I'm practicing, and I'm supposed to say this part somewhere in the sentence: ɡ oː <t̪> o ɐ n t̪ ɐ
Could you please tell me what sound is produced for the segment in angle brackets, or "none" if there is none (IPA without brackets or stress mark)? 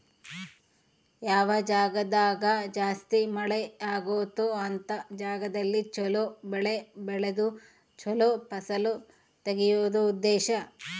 t̪